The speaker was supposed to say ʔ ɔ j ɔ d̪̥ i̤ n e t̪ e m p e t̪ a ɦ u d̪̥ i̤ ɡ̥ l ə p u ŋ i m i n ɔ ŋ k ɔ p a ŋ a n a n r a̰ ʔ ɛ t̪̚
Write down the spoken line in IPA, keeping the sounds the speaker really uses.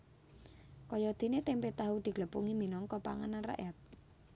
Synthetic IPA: k ɔ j ɔ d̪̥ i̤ n e t̪ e m p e t̪ a ɦ u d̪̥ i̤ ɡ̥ l ə p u ŋ i m i n ɔ ŋ k ɔ p a ŋ a n a n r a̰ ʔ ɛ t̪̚